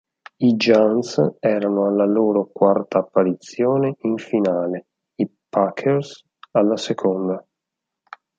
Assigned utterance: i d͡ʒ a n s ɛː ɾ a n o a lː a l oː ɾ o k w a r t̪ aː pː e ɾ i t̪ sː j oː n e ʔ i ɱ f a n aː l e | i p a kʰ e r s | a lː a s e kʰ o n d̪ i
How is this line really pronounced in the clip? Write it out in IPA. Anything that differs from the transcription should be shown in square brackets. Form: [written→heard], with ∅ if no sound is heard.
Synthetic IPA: i d͡ʒ a n s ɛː ɾ a n o a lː a l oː ɾ o k w a r t̪ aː pː [e→a] ɾ i t̪ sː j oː n e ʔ i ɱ f [a→i] n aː l e | i p a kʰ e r s | a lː a s e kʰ o n d̪ [i→a]